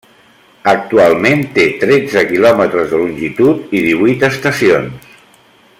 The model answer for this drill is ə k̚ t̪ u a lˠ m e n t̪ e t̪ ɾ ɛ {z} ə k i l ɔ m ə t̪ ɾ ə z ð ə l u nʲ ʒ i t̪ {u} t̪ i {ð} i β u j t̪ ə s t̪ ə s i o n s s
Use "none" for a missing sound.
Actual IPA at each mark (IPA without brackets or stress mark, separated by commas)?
d͡z, u, ð